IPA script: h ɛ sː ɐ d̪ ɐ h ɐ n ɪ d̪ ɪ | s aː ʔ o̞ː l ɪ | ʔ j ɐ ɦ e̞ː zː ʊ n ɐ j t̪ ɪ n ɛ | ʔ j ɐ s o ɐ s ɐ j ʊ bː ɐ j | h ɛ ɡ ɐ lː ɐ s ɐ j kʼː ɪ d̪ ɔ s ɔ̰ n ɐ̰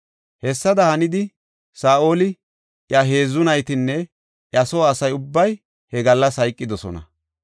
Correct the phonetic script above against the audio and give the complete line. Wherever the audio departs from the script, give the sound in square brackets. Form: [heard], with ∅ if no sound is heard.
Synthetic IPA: h ɛ sː ɐ d̪ ɐ h ɐ n ɪ d̪ ɪ | s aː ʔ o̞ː l ɪ | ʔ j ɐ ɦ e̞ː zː ʊ n ɐ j t̪ ɪ [nː] ɛ | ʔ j ɐ s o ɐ s ɐ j ʊ bː ɐ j | h ɛ ɡ ɐ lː ɐ s ɐ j kʼː ɪ d̪ ɔ s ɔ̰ n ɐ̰